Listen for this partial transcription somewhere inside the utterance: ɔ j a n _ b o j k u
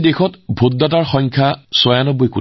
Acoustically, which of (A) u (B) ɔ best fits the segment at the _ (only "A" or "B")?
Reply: B